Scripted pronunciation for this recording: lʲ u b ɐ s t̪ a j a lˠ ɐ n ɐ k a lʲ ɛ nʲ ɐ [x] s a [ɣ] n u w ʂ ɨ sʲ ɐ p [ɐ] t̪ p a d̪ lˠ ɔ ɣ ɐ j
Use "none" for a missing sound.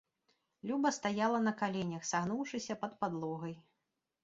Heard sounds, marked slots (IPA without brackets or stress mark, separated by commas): x, ɣ, ɐ